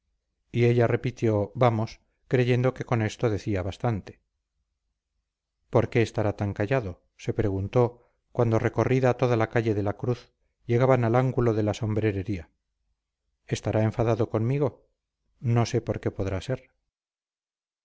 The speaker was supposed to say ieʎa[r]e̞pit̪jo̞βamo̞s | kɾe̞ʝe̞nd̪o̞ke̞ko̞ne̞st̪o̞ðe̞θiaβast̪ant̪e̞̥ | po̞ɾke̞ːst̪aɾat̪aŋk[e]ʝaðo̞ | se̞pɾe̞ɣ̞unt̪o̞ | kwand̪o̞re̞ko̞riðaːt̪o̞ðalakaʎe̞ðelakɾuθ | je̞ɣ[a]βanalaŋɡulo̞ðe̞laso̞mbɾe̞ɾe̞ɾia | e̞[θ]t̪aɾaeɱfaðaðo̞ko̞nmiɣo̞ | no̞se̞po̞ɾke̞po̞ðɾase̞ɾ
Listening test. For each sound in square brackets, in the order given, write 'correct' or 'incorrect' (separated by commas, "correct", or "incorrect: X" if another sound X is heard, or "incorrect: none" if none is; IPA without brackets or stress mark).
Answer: correct, incorrect: a, correct, incorrect: s